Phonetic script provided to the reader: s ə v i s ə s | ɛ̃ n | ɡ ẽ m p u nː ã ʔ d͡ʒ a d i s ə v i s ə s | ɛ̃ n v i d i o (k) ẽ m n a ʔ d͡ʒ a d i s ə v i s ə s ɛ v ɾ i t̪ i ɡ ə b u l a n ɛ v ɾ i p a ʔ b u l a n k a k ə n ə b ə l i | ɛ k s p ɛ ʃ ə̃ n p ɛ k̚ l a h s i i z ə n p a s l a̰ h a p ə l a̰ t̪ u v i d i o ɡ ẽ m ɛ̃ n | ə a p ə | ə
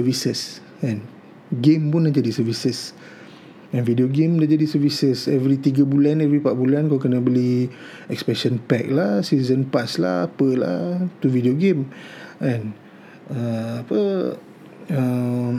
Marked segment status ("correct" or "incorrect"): incorrect